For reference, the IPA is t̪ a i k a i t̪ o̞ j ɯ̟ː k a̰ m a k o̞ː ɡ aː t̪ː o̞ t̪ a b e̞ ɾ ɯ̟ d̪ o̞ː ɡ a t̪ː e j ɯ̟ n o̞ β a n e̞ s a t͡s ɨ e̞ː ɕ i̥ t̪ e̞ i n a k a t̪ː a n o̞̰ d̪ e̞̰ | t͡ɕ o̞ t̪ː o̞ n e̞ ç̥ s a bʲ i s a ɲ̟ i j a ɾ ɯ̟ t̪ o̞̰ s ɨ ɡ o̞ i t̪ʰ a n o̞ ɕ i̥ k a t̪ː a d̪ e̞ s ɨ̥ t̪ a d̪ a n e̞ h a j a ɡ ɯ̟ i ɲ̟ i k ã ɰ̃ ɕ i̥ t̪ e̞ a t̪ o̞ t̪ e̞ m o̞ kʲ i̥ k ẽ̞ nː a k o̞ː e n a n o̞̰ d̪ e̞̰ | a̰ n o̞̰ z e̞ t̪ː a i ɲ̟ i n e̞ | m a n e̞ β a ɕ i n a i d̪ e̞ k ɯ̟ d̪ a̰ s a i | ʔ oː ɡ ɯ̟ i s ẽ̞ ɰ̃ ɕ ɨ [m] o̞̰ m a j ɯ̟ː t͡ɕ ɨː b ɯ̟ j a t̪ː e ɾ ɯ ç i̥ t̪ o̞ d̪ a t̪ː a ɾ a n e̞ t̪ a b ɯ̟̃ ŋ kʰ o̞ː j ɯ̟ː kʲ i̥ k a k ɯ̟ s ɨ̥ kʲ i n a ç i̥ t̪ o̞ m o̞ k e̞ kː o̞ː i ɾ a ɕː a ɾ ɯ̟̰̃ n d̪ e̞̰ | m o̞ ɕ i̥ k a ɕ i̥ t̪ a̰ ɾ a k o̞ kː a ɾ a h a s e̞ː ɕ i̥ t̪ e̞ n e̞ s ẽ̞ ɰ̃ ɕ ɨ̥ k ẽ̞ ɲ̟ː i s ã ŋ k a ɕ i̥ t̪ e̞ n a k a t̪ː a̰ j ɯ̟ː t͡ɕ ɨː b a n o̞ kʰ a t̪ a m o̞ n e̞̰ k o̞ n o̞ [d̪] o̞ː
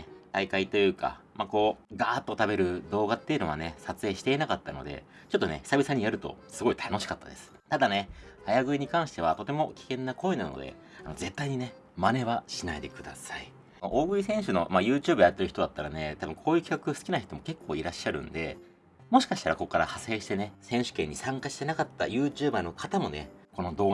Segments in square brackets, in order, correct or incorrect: incorrect: n, correct

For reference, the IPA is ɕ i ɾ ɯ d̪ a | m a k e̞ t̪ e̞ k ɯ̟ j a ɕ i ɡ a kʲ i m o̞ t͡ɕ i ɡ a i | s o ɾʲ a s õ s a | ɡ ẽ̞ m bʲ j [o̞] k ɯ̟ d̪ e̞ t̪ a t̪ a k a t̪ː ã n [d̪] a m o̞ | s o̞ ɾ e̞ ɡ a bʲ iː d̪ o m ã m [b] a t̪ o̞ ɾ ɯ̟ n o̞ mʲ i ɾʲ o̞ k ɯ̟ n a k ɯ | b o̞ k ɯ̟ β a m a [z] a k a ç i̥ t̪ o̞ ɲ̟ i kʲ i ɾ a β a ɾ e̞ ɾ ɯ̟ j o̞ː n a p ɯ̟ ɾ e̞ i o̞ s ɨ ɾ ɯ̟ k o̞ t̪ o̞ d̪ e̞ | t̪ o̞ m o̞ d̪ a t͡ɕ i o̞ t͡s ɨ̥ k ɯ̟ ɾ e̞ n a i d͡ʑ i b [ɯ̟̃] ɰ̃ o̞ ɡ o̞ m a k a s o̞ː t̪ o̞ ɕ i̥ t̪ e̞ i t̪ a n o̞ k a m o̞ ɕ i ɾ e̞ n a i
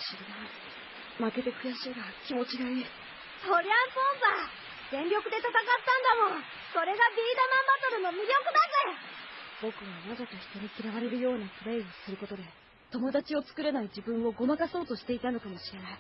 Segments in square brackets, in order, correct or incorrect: correct, correct, correct, correct, correct

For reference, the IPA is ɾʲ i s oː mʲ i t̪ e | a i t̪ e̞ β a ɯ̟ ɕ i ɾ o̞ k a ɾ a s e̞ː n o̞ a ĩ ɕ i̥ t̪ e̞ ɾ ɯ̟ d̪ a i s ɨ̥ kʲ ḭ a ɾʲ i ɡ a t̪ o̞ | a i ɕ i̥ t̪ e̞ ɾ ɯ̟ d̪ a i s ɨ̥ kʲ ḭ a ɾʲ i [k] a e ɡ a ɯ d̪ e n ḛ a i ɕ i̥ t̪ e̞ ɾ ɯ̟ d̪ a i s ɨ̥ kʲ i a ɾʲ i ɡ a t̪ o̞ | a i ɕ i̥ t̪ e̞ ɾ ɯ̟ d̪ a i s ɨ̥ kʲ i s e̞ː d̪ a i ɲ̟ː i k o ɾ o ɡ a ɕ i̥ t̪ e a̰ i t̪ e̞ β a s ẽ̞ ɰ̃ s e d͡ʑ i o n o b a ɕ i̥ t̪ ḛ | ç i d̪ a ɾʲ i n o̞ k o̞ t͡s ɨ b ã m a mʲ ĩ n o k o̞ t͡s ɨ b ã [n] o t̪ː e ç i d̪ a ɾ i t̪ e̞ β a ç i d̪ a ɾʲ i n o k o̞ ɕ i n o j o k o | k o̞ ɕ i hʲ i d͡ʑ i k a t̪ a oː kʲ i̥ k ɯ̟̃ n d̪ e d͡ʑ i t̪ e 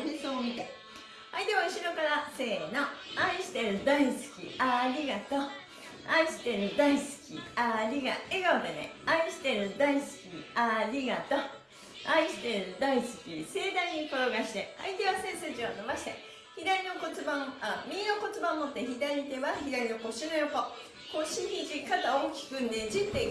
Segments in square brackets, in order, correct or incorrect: incorrect: ɡ, incorrect: m

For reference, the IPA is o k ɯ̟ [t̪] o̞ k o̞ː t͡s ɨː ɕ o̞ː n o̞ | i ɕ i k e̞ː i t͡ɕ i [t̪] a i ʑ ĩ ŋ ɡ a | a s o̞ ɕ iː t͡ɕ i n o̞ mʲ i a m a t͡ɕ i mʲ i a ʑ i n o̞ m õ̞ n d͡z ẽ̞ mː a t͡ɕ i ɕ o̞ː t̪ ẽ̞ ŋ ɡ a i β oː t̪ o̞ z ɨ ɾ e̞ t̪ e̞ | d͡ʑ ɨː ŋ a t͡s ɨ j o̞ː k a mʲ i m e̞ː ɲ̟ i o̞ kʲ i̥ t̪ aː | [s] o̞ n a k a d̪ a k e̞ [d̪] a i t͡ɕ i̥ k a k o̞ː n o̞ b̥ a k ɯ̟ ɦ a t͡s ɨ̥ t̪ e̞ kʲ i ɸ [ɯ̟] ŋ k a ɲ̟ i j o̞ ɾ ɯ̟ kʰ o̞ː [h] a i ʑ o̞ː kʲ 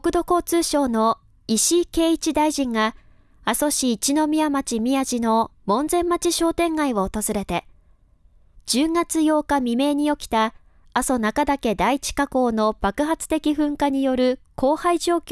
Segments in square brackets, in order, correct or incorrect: incorrect: d̪, incorrect: d̪, correct, correct, incorrect: ɯ̟̃, correct

